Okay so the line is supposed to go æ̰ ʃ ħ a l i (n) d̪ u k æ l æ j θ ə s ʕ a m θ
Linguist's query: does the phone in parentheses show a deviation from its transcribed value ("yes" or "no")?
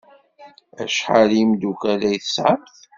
yes